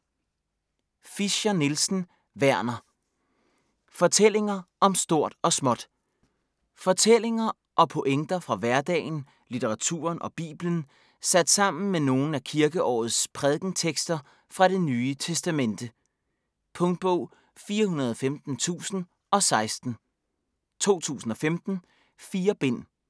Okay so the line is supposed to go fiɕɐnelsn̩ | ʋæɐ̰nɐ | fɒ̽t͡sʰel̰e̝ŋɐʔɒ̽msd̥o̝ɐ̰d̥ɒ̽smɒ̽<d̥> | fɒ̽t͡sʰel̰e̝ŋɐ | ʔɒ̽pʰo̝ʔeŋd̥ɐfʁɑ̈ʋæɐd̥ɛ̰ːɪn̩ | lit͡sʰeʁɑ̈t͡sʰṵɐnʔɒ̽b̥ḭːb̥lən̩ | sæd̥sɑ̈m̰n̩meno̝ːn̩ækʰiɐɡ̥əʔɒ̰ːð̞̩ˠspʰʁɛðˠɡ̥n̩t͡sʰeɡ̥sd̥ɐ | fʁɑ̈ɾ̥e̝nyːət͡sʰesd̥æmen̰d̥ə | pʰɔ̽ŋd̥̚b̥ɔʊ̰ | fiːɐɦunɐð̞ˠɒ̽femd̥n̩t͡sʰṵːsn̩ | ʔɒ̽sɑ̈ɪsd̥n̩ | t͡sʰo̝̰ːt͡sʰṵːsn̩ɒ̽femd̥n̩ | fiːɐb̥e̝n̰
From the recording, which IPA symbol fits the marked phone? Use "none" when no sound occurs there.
d̥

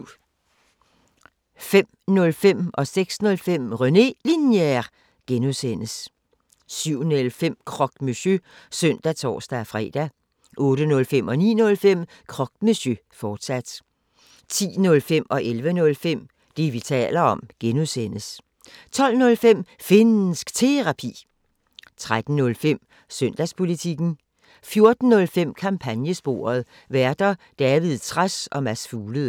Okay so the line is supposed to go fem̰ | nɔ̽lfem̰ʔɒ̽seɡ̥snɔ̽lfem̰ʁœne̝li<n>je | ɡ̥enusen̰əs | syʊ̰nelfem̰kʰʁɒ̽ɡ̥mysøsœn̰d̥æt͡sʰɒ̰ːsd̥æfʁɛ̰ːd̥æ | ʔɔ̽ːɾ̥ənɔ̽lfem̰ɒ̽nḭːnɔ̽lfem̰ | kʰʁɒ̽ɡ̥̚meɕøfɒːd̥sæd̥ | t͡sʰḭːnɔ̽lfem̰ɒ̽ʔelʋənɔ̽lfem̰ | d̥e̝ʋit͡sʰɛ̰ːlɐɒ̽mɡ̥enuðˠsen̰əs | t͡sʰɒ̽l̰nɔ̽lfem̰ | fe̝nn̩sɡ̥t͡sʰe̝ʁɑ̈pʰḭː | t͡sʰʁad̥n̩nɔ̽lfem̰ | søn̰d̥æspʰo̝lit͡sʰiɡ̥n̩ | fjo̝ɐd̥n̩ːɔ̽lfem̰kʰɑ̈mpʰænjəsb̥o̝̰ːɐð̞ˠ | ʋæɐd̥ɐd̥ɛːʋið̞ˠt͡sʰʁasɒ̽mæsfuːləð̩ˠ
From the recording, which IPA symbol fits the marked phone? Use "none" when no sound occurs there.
n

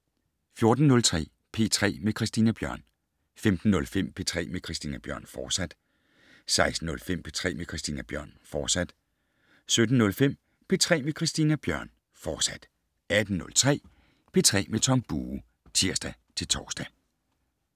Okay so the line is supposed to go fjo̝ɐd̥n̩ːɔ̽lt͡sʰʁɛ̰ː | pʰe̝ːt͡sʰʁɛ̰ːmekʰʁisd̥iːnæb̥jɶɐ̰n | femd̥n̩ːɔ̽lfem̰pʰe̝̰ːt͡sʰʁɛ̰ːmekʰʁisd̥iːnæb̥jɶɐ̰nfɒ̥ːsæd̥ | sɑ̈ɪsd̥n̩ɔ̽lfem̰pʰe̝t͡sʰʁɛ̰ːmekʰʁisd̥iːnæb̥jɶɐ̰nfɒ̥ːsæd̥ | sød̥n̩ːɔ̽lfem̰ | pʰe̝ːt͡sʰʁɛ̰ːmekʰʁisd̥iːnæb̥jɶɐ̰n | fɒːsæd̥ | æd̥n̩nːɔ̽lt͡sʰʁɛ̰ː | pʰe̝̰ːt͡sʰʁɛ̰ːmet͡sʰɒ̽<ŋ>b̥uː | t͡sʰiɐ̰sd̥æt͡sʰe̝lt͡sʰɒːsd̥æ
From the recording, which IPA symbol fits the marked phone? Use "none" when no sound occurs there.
m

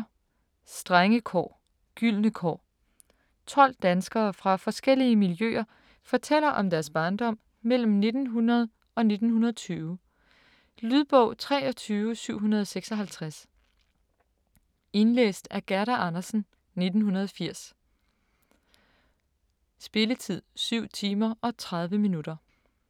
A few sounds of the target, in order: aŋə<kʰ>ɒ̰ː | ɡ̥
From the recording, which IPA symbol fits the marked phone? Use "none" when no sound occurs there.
kʰ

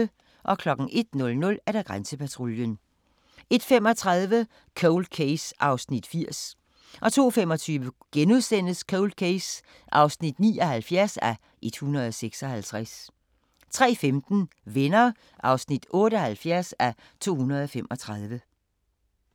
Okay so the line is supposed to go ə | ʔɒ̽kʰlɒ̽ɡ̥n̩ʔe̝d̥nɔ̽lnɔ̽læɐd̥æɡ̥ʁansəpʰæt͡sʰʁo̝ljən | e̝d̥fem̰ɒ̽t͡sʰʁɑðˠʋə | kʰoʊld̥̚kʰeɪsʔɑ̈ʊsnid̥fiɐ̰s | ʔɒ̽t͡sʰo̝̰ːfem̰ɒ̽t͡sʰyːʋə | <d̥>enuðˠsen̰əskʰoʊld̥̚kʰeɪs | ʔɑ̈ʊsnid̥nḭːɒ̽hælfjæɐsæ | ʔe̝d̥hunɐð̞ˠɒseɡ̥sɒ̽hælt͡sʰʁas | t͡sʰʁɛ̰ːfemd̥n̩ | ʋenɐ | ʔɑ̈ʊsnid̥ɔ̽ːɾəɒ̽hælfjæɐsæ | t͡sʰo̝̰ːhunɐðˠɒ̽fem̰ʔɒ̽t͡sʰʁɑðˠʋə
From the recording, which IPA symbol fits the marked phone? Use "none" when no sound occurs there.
ɡ̥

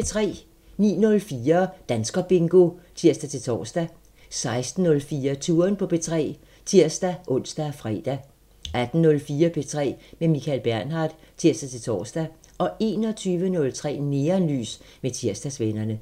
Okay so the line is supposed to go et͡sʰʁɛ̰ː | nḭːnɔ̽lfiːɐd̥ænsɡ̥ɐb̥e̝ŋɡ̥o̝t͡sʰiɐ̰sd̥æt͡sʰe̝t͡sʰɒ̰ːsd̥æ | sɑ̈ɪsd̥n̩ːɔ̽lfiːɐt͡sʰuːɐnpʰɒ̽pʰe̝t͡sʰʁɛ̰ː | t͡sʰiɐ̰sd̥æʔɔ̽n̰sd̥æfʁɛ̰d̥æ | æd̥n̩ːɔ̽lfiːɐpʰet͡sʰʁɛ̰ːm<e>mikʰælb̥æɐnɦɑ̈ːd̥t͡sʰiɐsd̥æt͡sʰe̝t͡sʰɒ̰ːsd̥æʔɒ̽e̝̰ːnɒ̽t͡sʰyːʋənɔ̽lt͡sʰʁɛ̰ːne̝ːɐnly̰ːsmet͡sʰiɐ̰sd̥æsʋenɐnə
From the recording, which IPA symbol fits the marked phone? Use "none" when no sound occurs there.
e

